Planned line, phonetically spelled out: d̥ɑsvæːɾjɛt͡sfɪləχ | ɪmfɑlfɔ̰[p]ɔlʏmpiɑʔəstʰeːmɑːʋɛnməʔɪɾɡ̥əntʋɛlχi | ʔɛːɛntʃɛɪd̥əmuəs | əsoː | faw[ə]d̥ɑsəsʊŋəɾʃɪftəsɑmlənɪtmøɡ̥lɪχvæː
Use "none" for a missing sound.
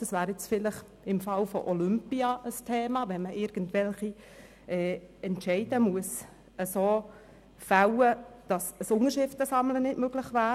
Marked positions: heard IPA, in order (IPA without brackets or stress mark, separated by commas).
ʔ, ə